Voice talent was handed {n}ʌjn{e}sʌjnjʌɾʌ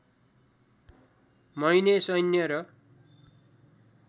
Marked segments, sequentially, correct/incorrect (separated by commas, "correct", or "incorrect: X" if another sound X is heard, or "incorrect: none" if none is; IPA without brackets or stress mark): incorrect: m, correct